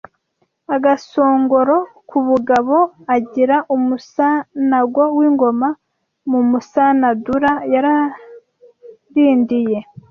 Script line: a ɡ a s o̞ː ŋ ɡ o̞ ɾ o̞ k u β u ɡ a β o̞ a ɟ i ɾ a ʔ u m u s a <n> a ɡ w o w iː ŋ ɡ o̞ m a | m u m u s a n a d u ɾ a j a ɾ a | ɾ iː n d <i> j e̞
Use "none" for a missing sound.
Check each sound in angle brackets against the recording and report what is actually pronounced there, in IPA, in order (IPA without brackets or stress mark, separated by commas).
n, i